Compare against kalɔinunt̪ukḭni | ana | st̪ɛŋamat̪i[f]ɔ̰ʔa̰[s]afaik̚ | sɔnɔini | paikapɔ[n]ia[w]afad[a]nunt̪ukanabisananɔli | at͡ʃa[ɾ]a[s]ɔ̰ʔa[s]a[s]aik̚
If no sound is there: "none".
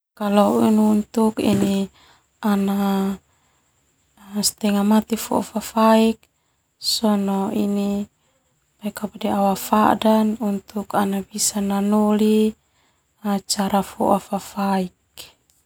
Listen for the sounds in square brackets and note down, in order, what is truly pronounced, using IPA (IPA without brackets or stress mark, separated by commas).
f, f, d, w, a, ɾ, f, f, f